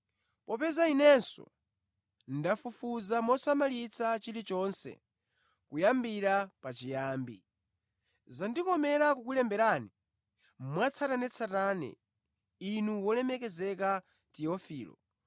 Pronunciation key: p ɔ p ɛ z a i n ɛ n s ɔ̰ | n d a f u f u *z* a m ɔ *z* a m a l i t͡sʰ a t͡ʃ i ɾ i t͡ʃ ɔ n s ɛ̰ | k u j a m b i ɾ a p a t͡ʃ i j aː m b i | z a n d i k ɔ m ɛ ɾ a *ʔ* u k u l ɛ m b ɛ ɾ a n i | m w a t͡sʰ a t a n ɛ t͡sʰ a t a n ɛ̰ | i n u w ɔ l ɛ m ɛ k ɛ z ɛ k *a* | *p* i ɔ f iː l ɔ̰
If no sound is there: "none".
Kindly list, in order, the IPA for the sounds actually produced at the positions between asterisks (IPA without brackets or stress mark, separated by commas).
z, s, k, a, t